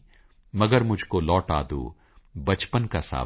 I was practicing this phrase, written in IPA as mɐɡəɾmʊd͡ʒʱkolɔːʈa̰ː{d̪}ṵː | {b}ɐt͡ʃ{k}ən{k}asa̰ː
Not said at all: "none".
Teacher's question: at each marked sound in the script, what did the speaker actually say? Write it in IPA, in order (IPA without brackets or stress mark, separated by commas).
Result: d̪, b, p, k